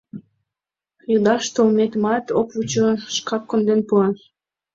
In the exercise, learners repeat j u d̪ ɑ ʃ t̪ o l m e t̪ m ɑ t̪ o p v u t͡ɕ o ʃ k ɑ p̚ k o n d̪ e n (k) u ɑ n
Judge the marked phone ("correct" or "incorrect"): incorrect